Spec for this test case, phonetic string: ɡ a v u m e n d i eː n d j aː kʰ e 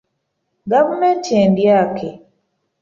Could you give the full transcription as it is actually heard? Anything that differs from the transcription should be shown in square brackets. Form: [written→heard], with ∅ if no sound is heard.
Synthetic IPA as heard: ɡ a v u m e n [d→t] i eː n d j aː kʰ e